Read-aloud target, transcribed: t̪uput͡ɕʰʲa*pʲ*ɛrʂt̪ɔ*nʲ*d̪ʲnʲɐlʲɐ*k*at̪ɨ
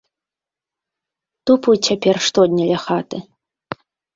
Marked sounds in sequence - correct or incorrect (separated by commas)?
correct, incorrect, incorrect